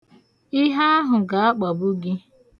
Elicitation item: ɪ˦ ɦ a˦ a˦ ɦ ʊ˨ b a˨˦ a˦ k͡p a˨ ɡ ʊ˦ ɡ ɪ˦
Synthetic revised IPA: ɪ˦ ɦ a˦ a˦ ɦ ʊ˨ ɡ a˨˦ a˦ k͡p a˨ b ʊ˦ ɡ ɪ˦